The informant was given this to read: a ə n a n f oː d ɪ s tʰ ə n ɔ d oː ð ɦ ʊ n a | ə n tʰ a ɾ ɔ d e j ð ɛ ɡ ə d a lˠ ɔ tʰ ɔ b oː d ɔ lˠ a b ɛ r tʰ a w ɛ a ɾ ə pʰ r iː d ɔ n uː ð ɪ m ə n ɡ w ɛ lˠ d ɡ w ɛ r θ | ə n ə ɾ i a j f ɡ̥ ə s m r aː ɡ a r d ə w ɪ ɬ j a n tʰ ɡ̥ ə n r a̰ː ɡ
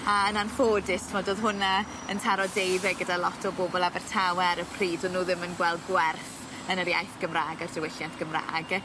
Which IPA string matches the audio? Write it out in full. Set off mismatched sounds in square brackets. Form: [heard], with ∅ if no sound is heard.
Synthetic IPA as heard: a ə n a n f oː d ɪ s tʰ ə [m] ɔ d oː ð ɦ ʊ n a | ə n tʰ a ɾ ɔ d e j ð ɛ ɡ ə d a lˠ ɔ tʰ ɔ b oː [b] ɔ lˠ a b ɛ r tʰ a w ɛ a ɾ ə pʰ r iː d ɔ n uː ð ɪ m ə n ɡ w ɛ lˠ d ɡ w ɛ r θ | ə n ə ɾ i a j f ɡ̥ ə [∅] m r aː ɡ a r d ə w ɪ ɬ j a n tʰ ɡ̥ ə [m] r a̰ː ɡ